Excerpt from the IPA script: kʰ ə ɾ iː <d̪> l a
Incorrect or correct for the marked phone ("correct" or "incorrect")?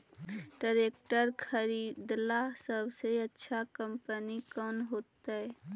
correct